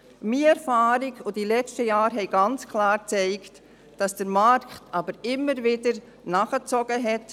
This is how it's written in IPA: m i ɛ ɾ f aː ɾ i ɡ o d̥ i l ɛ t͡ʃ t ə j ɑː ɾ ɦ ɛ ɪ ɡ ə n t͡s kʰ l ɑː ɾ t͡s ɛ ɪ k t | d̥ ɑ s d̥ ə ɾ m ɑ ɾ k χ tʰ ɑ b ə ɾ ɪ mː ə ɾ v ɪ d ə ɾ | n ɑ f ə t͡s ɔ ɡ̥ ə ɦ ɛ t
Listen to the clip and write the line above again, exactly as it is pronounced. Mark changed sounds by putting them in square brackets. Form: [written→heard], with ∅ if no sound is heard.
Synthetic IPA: m i ɛ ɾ f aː ɾ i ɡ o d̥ i l ɛ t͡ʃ t ə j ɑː ɾ ɦ ɛ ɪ ɡ [ə→ɑ] n t͡s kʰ l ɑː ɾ t͡s ɛ ɪ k t | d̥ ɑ s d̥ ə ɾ m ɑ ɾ k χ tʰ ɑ b ə ɾ ɪ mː ə ɾ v ɪ d ə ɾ | n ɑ [f→χ] ə t͡s ɔ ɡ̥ ə ɦ ɛ t